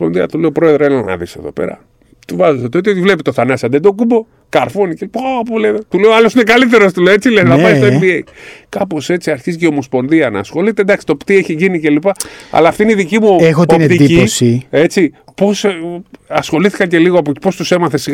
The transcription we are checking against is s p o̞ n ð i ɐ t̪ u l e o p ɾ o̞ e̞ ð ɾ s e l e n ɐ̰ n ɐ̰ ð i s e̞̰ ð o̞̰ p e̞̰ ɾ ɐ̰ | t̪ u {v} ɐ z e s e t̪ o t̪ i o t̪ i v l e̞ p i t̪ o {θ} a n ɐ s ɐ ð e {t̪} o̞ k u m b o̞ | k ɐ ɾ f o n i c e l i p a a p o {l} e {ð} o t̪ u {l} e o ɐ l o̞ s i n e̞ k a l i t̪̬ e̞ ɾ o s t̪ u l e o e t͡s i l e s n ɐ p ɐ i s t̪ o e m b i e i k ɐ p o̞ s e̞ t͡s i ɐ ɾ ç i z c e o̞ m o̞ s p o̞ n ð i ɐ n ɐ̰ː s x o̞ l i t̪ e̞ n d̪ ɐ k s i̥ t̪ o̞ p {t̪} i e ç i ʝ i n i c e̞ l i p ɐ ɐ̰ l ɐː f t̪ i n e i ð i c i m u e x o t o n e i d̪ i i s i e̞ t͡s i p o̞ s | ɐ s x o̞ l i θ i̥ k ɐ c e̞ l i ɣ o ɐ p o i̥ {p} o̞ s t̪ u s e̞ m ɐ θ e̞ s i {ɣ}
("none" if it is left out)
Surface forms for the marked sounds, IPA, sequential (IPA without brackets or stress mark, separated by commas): v, θ, d̪, l, ð, l, t̪, p, ɣ